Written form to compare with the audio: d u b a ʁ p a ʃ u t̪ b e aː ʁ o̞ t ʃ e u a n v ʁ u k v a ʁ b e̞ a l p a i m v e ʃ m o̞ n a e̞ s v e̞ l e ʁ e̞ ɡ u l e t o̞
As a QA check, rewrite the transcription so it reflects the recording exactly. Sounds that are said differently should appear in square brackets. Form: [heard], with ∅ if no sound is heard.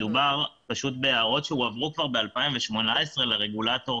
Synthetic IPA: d u b a ʁ p a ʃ u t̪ b e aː ʁ o̞ t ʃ e u a [∅] v ʁ u k v a ʁ b e̞ a l p a i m v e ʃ m o̞ n a e̞ s [ʁ] e̞ l e ʁ e̞ ɡ u l [a] t o̞